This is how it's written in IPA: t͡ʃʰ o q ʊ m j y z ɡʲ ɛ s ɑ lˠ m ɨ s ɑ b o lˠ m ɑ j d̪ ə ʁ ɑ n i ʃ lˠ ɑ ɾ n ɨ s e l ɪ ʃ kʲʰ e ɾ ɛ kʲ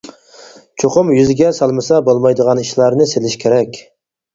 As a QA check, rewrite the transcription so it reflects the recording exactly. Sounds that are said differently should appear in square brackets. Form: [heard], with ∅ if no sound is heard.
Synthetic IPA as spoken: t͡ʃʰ o q ʊ m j y z ɡʲ ɛ s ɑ lˠ m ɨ s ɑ b o lˠ m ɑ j d̪ ə ʁ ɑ n i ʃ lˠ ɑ ɾ n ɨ s e l ɪ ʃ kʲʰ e ɾ ɛ kʲ